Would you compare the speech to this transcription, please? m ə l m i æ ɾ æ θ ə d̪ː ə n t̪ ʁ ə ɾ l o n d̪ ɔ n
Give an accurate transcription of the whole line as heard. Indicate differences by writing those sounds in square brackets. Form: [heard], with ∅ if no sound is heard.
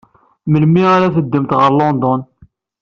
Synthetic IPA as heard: m ə l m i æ ɾ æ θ ə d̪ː ə [m] t̪ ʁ ə ɾ l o n d̪ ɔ n